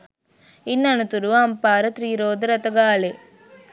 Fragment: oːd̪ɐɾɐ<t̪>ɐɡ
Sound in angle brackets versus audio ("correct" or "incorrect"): correct